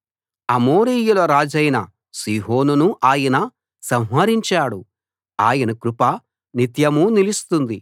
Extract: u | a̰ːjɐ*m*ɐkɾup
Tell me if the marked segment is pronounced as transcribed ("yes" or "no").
no